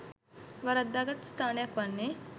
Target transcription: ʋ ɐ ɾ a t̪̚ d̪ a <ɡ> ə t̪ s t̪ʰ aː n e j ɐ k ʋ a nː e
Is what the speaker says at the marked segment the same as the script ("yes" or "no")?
yes